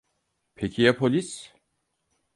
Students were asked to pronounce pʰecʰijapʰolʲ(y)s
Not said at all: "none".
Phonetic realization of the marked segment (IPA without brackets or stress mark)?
i